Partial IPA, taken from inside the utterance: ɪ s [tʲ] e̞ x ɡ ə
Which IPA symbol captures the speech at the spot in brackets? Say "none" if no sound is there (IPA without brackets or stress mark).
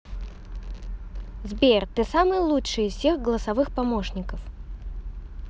sʲ